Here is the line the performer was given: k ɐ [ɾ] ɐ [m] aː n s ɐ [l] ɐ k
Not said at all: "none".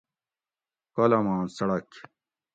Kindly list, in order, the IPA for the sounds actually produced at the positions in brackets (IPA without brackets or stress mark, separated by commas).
l, m, ɽ